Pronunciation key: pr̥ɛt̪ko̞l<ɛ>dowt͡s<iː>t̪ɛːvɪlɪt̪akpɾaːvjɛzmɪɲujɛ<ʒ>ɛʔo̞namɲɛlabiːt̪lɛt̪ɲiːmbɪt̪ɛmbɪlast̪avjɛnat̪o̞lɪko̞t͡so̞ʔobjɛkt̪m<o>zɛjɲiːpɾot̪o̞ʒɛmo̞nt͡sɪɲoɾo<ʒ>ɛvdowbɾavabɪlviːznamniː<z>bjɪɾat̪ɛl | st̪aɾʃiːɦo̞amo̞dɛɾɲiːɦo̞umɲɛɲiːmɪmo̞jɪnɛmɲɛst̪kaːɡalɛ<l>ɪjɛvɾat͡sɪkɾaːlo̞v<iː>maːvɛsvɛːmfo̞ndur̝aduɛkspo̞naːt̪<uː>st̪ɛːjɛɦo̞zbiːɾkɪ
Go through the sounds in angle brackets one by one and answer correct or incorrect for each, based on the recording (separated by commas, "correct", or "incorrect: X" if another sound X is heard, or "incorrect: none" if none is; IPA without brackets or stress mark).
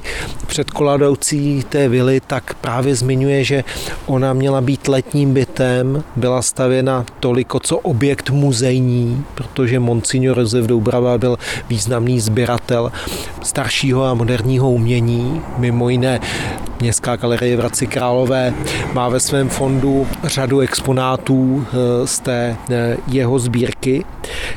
incorrect: a, correct, correct, incorrect: u, incorrect: z, correct, incorrect: ɾ, incorrect: ɛː, correct